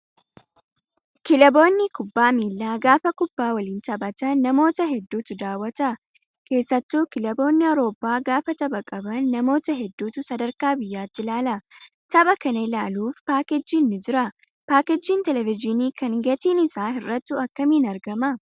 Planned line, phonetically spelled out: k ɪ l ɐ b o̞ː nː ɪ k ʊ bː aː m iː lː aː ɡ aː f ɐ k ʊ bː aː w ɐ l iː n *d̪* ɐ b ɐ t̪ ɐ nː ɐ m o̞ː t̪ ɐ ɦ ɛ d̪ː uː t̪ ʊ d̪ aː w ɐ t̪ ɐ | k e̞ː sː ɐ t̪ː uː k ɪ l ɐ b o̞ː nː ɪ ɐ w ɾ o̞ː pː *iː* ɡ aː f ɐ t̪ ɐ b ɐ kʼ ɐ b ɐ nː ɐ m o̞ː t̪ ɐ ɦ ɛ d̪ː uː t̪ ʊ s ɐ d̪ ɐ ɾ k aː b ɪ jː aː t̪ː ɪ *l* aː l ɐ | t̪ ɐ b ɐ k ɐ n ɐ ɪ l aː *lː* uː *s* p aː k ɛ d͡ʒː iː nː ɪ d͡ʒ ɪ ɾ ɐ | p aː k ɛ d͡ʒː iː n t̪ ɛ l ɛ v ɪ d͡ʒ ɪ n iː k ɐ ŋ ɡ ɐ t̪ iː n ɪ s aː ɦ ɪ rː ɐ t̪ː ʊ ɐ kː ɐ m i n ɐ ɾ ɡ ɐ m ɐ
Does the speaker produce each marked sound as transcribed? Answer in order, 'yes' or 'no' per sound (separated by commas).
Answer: no, no, yes, no, no